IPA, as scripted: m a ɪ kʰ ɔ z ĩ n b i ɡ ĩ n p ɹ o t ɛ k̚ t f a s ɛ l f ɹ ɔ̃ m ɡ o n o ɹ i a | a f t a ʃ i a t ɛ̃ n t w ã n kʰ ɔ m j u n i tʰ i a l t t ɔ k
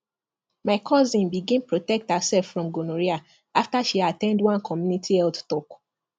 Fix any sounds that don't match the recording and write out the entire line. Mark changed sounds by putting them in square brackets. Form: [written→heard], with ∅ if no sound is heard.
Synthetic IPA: m a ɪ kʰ ɔ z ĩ n b i ɡ ĩ n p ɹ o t ɛ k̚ t [f→h] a s ɛ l f ɹ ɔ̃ m ɡ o n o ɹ i a | a f t a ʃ i a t ɛ̃ n [t→d] w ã n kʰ ɔ m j u n i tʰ i [a→ɛ] l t t ɔ k